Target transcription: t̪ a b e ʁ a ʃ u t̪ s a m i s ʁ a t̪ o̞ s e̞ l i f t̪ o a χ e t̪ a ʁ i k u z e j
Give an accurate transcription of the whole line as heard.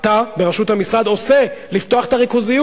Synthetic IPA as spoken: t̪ a b e ʁ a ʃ u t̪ h a m i s ʁ a d̪ o̞ s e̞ l i f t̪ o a χ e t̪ a ʁ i k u z i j